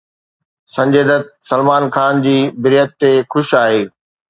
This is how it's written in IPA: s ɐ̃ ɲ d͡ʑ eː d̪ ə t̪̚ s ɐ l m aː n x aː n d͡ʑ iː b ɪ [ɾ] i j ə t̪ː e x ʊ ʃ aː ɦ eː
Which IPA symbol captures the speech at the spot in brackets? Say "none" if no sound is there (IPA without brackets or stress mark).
ɾ